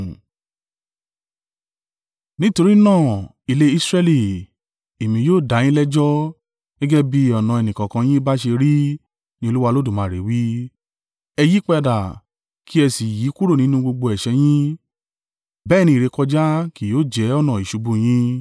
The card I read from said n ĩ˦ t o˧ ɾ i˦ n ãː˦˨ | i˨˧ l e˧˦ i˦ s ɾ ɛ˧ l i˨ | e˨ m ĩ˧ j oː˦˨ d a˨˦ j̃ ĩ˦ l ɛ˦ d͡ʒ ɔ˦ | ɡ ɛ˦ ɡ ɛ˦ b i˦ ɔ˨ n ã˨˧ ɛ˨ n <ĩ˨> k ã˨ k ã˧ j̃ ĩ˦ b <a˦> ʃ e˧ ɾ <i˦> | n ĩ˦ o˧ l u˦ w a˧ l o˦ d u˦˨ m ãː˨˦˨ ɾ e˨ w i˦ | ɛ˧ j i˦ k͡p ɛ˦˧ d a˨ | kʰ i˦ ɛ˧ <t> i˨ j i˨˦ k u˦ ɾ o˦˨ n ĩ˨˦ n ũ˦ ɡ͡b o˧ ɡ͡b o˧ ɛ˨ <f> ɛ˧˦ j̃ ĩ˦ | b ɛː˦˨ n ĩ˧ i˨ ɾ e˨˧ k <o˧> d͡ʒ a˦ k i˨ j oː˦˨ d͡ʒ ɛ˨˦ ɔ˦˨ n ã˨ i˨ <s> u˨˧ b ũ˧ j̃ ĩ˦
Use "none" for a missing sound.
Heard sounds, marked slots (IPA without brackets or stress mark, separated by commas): ĩ˨, a˦, i˦, s, ʃ, ɔ˧, ʃ